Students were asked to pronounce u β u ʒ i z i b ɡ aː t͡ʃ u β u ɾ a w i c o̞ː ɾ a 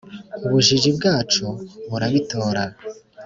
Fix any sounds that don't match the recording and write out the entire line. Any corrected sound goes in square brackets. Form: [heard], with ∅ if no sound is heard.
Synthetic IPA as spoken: u β u ʒ i [ʒ] i b ɡ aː t͡ʃ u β u ɾ a [β] i [t] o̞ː ɾ a